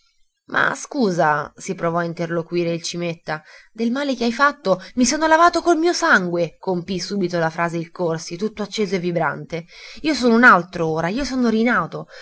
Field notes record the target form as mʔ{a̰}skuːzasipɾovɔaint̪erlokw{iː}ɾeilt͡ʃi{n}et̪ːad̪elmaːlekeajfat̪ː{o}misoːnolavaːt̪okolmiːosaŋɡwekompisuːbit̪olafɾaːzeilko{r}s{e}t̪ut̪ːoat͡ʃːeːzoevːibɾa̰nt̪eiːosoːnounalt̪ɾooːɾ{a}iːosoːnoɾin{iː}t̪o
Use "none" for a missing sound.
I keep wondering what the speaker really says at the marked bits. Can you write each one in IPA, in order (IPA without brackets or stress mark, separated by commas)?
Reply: a̰, iː, m, o, r, i, a, aː